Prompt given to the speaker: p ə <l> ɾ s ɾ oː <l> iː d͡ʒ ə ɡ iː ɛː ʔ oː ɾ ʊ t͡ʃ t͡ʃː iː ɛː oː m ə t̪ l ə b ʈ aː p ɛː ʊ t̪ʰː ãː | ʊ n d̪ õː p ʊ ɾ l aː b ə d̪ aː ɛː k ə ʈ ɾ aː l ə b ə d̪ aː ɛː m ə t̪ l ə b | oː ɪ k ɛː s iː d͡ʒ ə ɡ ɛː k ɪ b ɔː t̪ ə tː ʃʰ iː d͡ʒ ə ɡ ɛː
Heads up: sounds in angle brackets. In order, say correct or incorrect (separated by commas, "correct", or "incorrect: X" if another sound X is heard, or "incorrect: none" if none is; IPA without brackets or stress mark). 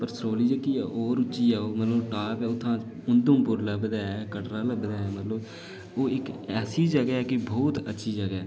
incorrect: none, correct